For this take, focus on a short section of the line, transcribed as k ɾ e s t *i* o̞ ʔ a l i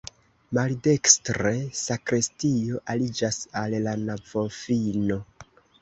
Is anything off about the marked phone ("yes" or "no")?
no